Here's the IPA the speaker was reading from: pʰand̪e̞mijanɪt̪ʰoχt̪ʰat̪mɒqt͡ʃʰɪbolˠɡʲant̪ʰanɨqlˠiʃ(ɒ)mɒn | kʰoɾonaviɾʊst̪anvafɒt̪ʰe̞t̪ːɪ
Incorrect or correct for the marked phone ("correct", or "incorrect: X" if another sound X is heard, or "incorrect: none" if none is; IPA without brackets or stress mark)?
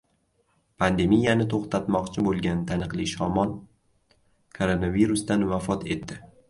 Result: correct